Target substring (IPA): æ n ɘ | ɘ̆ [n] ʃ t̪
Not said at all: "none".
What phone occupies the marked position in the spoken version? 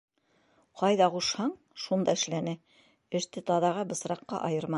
none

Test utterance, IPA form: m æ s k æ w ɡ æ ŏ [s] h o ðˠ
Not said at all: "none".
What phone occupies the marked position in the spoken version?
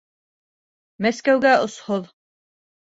s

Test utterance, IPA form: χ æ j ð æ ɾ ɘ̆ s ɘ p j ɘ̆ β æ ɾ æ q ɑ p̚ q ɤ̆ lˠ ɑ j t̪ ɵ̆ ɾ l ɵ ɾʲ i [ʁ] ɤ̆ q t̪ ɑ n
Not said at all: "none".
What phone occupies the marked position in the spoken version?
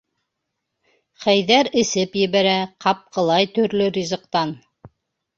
z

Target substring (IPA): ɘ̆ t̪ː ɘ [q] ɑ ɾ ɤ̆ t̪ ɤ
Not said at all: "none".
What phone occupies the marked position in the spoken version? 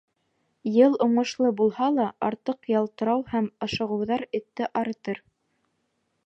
ʔ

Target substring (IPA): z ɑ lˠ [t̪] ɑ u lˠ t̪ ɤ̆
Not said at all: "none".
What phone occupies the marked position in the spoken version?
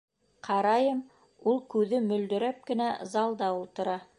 d̪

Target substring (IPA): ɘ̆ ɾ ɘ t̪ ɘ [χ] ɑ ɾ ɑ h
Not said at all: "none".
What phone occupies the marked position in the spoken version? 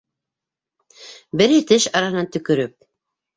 ʃ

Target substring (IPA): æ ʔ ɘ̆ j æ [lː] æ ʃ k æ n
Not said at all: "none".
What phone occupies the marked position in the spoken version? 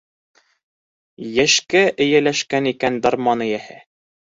l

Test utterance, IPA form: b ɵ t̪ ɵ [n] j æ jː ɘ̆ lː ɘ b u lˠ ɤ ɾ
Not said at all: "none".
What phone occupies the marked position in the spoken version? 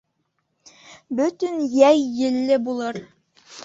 n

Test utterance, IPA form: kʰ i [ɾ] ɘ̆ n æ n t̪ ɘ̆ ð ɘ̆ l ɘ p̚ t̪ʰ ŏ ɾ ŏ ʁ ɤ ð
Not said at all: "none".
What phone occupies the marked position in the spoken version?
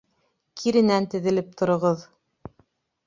ɾ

